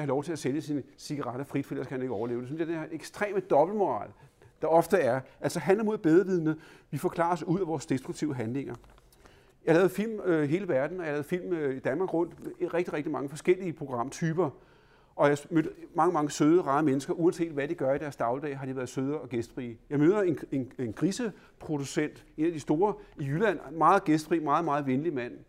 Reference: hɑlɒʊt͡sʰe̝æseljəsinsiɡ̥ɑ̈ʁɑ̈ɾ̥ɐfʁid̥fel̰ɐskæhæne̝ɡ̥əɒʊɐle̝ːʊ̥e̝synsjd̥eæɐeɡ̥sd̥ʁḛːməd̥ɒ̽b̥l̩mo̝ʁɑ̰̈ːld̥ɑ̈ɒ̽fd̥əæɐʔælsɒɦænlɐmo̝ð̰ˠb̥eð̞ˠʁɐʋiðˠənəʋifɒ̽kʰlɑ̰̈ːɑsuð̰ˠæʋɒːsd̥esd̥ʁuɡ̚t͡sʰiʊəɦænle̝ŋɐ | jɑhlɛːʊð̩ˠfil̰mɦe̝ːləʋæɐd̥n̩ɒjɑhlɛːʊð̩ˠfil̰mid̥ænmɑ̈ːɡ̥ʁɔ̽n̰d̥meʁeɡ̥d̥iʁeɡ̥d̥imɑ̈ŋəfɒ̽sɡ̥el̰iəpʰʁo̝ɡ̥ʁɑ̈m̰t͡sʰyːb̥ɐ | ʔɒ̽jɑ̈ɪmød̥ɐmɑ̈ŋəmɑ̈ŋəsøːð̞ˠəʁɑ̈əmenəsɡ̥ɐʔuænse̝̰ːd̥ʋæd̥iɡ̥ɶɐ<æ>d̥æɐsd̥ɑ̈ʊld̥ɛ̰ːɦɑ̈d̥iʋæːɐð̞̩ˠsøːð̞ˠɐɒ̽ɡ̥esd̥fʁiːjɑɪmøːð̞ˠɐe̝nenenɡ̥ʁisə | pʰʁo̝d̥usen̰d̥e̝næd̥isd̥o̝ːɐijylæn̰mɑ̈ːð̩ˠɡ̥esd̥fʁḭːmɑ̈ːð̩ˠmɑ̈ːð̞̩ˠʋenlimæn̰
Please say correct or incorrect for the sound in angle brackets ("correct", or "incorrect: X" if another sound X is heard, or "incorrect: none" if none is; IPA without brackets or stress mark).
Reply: incorrect: i